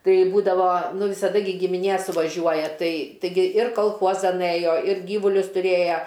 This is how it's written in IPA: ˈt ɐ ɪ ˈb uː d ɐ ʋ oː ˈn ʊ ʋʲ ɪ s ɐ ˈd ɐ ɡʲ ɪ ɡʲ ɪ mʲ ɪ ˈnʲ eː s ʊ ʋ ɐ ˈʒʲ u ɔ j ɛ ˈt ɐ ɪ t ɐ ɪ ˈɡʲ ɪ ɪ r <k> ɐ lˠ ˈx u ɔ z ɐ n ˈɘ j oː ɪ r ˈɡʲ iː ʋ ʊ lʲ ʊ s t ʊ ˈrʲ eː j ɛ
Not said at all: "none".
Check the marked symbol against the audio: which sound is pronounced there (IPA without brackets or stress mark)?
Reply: k